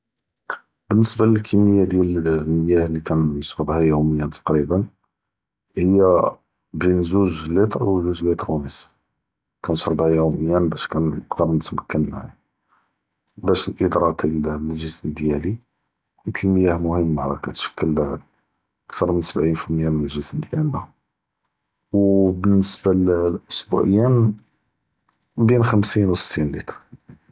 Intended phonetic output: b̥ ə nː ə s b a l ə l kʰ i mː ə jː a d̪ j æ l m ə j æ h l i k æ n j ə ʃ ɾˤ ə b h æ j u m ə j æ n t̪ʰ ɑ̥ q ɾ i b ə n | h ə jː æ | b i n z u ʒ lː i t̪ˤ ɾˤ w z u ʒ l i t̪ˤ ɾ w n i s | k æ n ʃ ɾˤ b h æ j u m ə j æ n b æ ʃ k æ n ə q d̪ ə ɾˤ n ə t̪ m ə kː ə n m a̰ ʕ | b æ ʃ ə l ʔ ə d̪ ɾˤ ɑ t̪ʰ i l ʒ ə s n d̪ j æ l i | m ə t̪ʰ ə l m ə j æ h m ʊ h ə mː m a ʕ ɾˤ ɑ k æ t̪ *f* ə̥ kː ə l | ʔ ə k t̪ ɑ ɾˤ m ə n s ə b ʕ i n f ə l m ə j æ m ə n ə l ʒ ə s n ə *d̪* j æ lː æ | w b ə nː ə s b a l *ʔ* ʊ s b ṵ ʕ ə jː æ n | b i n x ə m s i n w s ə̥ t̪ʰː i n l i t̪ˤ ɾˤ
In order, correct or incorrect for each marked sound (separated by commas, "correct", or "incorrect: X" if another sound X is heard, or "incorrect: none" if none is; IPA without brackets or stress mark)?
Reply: incorrect: ʃ, correct, correct